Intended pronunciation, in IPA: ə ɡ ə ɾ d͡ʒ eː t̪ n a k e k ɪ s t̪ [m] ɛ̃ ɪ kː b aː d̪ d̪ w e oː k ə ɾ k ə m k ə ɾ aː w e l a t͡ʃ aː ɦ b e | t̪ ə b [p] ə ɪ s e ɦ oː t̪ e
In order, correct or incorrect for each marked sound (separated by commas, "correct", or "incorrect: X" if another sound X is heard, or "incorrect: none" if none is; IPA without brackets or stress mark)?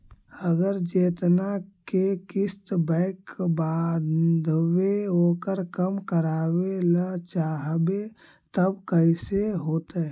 incorrect: b, incorrect: k